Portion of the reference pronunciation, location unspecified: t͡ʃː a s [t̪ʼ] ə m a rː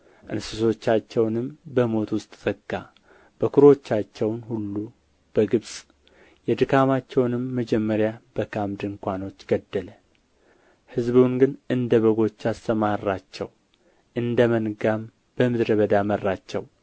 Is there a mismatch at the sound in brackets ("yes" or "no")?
yes